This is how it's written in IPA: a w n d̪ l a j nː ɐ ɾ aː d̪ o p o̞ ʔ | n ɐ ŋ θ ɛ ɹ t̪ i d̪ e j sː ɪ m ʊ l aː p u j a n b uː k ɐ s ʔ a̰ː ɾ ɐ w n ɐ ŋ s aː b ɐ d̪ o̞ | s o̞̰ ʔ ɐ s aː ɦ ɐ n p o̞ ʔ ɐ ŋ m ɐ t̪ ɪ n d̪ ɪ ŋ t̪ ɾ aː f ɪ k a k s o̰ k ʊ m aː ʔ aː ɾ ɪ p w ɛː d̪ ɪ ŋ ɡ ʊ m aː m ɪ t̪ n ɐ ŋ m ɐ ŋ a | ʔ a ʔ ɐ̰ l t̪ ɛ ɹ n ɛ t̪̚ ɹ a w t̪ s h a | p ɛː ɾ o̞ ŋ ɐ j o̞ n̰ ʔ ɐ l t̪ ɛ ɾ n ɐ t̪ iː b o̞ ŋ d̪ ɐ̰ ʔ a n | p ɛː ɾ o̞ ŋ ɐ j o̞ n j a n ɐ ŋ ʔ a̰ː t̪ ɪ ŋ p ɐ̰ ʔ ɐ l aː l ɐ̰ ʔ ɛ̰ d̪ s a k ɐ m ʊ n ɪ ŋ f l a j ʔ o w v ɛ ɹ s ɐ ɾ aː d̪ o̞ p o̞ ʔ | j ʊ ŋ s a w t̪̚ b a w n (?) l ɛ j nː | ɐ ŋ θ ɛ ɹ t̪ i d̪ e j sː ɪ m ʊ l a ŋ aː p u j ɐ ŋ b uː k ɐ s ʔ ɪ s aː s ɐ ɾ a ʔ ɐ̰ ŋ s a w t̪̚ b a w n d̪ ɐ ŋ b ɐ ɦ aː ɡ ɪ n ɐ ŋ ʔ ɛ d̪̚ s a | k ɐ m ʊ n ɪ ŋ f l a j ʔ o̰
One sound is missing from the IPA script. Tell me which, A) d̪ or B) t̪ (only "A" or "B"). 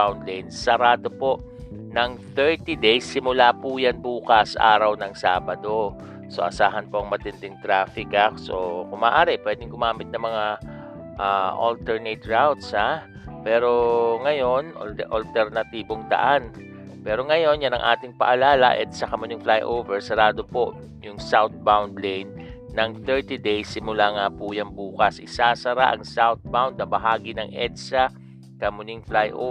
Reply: A